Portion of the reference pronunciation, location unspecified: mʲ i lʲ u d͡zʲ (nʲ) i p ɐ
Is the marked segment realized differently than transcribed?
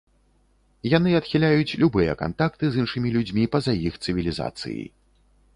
yes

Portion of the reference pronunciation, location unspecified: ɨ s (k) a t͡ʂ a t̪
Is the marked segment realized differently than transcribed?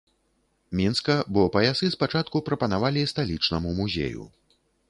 yes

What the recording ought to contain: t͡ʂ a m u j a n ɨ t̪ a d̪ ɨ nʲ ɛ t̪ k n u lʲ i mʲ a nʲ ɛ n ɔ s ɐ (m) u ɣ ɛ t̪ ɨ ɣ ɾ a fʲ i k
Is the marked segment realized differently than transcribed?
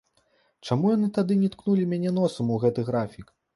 no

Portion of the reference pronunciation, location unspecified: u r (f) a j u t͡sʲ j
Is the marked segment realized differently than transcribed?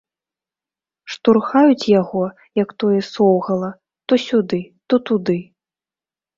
yes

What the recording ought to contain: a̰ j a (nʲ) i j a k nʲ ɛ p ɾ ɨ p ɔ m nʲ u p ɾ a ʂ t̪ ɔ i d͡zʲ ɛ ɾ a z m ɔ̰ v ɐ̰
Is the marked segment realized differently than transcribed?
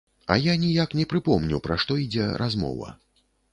no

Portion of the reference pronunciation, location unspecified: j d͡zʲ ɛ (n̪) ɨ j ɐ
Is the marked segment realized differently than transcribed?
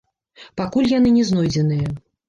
no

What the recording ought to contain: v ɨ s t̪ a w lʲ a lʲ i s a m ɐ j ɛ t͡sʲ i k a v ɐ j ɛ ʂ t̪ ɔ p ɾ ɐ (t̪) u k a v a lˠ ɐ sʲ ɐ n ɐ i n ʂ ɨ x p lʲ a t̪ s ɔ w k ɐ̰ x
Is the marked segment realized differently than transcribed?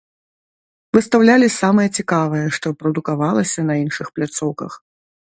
yes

